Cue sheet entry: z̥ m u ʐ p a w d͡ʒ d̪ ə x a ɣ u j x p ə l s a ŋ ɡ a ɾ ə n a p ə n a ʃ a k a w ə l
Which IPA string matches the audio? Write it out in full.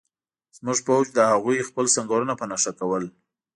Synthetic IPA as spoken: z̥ m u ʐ p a w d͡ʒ d̪ ə h a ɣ u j x p ə l s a ŋ ɡ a ɾ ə n a p ə n a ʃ a k a w ə l